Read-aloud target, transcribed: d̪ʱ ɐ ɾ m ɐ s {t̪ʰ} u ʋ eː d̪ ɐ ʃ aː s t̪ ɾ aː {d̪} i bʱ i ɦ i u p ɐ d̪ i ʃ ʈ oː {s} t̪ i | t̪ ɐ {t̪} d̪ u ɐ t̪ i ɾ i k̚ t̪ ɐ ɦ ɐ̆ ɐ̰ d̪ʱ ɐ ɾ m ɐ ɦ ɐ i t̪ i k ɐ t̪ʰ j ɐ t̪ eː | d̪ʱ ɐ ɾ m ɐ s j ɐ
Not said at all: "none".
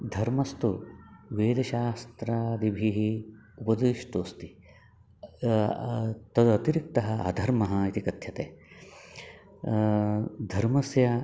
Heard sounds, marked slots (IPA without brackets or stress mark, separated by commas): t̪, d̪, s, none